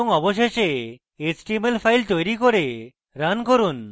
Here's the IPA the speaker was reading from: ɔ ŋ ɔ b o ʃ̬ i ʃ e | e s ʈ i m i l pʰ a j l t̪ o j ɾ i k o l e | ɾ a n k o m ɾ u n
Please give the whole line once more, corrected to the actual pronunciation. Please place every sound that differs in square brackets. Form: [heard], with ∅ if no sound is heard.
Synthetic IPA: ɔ ŋ ɔ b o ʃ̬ [e] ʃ e | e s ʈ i m [e] l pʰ a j l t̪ o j ɾ i k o [ɾ] e | ɾ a n k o [∅] ɾ u n